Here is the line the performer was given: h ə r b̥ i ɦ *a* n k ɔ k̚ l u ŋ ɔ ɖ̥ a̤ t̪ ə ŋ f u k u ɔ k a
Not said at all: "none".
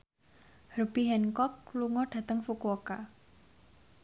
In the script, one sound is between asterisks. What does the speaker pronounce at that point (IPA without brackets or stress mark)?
ɛ